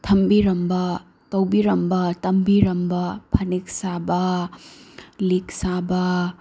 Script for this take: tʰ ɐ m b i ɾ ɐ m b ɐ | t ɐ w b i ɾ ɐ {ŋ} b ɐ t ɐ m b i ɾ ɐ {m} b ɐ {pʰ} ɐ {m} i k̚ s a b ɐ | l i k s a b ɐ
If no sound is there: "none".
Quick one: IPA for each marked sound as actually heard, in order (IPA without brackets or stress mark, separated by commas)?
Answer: m, m, pʰ, n